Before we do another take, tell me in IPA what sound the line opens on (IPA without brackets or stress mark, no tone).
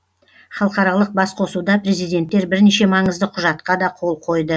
χ